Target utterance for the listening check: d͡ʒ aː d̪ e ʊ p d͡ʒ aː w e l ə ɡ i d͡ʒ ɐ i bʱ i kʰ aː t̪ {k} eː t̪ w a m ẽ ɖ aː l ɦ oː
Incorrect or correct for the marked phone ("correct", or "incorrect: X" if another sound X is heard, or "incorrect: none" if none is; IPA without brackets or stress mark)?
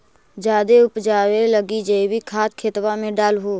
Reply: incorrect: kʰ